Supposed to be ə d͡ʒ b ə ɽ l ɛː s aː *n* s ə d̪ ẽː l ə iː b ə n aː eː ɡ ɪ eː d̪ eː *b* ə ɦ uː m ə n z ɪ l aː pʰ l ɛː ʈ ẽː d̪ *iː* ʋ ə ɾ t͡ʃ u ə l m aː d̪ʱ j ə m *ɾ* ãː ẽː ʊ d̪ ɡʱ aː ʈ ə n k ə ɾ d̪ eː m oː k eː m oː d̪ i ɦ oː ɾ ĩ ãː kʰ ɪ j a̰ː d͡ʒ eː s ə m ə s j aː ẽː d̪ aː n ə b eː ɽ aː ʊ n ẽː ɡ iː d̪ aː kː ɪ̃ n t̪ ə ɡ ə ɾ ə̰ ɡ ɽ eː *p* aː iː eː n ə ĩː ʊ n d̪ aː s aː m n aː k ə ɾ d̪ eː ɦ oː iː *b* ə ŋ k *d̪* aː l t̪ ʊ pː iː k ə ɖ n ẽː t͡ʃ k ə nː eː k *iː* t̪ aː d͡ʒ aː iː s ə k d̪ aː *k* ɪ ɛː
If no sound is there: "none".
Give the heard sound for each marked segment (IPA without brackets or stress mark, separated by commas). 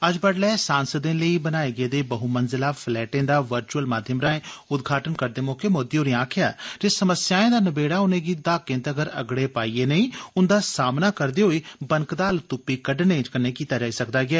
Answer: n, b, aː, ɾ, p, b, d̪, iː, ɡ